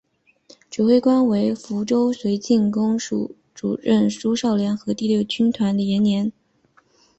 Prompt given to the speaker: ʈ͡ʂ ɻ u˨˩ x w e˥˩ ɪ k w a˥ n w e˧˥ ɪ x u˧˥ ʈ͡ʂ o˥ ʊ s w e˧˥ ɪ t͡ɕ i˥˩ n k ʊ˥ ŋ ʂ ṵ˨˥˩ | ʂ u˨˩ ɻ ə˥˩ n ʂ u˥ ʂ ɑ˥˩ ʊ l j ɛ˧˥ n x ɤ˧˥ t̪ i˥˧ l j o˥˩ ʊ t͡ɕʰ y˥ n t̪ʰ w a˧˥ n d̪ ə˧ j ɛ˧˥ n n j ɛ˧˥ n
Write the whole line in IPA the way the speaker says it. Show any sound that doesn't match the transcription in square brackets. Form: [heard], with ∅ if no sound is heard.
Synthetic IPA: ʈ͡ʂ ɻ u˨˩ x w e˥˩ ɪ k w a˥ n w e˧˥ ɪ [f] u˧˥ ʈ͡ʂ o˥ ʊ s w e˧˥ ɪ t͡ɕ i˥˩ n k ʊ˥ ŋ ʂ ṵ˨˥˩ | [ʈ͡ʂ] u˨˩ ɻ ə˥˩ n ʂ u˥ ʂ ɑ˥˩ ʊ l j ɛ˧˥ n x ɤ˧˥ t̪ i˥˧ l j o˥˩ ʊ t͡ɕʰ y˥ n t̪ʰ w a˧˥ n d̪ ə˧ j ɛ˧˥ n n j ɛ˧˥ n